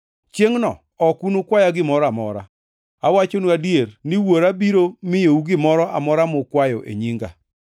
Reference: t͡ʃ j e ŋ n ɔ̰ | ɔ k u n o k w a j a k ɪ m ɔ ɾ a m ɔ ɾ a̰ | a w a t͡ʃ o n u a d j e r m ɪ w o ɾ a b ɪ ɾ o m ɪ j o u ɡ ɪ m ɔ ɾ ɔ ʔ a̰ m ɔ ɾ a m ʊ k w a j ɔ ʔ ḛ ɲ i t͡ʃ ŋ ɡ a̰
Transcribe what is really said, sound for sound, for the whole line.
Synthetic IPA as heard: t͡ʃ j e ŋ n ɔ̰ | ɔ k u n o k w a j a ɡ ɪ m ɔ ɾ a m ɔ ɾ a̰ | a w a t͡ʃ o n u a d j e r n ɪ w o ɾ a b i ɾ o m ɪ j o u ɡ ɪ m ɔ ɾ ɔ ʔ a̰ m ɔ ɾ a m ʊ k w a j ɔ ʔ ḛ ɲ i ŋ ɡ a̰